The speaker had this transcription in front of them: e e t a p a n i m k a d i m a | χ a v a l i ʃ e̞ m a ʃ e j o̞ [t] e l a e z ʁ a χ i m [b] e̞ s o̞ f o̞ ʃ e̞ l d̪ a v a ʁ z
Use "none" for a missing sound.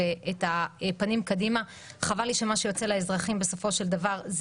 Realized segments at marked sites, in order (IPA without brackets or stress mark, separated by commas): t͡s, b